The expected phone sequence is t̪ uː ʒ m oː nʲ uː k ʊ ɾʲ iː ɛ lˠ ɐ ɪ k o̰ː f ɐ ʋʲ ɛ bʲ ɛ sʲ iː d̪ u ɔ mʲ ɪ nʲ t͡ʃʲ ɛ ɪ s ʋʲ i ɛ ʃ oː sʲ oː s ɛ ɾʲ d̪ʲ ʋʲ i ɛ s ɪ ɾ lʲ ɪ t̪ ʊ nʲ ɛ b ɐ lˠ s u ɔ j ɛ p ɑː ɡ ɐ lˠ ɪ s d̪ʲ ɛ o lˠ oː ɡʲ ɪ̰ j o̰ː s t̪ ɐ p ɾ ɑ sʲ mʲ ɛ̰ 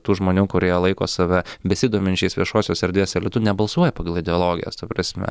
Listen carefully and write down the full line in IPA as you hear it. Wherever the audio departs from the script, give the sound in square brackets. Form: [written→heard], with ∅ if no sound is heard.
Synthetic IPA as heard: t̪ uː ʒ m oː nʲ uː k ʊ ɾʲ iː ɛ lˠ ɐ ɪ k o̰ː [f→s] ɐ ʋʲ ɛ bʲ ɛ sʲ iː d̪ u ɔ mʲ ɪ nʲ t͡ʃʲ ɛ ɪ s ʋʲ i ɛ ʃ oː sʲ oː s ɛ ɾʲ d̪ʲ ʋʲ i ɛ s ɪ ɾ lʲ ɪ t̪ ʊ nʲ ɛ b ɐ lˠ s u ɔ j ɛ p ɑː ɡ ɐ lˠ ɪ [s→∅] d̪ʲ ɛ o lˠ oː ɡʲ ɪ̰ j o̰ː s t̪ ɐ p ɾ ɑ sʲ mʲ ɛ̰